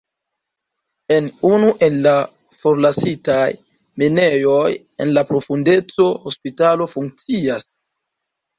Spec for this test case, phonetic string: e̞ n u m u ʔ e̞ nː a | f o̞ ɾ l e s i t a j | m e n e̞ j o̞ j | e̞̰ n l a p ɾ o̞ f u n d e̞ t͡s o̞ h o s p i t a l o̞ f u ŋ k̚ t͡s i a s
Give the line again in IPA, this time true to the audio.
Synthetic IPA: e̞ n u n u ʔ e̞ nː a | f o̞ ɾ l a s i t a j | m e n e̞ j o̞ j | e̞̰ n l a p ɾ o̞ f u n d e̞ t͡s o̞ h o s p i t a l o̞ f u ŋ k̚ t͡s i a s